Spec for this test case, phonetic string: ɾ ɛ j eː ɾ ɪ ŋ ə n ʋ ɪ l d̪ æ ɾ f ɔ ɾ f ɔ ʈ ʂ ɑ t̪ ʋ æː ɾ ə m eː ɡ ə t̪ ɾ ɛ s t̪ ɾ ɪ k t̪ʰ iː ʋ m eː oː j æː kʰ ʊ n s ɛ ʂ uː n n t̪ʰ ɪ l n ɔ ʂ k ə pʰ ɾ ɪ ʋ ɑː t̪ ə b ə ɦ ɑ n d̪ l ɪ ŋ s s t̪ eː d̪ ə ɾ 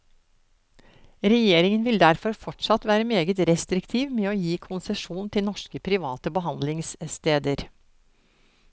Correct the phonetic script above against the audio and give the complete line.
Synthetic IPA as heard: ɾ ɛ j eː ɾ ɪ ŋ ə n ʋ ɪ l d̪ æ ɾ f ɔ ɾ f ɔ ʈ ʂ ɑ t̪ ʋ æː ɾ ə m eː ɡ ə t̪ ɾ ɛ s t̪ ɾ ɪ k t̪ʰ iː ʋ m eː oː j iː kʰ ʊ n s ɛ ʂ uː n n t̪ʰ ɪ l n ɔ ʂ k ə pʰ ɾ ɪ ʋ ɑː t̪ ə b ə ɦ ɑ n d̪ l ɪ ŋ s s t̪ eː d̪ ə ɾ